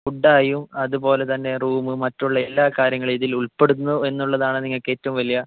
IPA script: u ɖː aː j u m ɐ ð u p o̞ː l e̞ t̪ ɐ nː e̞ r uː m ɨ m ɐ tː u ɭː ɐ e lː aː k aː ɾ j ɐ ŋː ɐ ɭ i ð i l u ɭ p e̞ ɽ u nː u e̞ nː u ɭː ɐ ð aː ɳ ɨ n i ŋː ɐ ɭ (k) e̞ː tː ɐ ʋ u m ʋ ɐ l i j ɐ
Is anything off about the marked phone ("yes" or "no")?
no